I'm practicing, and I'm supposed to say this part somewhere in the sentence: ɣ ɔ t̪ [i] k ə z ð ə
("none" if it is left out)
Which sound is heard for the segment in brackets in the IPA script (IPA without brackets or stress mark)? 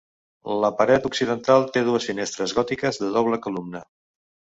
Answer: i